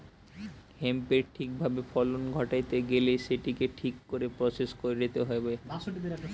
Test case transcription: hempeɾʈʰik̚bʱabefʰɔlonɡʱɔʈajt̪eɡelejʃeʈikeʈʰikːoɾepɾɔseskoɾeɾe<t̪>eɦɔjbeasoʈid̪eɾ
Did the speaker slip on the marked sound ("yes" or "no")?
no